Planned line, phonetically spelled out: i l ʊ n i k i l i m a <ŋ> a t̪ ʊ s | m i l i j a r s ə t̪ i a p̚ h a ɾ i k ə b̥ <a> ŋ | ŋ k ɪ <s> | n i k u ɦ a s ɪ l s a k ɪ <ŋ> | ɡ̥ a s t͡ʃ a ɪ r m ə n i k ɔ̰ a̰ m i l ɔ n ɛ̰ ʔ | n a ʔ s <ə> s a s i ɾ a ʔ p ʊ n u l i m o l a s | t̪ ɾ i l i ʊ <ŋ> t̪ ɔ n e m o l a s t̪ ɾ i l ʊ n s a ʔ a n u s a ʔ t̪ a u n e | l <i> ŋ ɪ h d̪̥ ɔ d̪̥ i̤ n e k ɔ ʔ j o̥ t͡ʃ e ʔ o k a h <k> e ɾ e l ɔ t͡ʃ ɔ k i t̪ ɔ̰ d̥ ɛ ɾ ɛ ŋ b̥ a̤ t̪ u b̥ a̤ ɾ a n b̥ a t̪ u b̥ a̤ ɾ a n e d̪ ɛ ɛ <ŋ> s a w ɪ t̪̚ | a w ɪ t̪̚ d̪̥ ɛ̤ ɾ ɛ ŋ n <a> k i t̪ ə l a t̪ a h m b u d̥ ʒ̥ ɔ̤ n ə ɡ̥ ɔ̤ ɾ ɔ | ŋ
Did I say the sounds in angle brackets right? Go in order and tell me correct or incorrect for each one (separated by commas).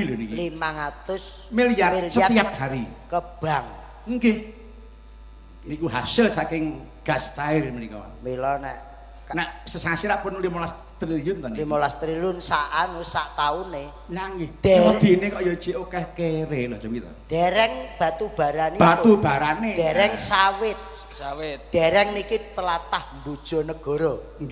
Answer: correct, correct, incorrect, correct, correct, incorrect, incorrect, correct, correct, incorrect